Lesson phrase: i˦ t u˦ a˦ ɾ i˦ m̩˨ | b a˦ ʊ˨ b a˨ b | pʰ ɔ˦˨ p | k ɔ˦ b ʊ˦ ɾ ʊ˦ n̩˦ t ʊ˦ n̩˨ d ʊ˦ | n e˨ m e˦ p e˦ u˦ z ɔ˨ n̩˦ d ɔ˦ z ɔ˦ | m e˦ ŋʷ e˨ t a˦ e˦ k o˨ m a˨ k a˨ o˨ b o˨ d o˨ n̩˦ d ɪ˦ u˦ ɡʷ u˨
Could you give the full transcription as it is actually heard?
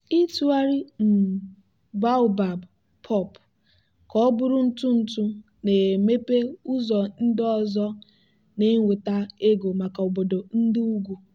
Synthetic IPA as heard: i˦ t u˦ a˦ ɾ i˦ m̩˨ | b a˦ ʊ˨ b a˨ b | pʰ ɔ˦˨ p | k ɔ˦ b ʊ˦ ɾ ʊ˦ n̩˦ t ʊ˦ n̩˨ t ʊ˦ | n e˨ m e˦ p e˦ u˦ z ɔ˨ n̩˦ d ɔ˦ z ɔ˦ | n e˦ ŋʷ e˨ t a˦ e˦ ɡ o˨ m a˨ k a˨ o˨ b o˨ d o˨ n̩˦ d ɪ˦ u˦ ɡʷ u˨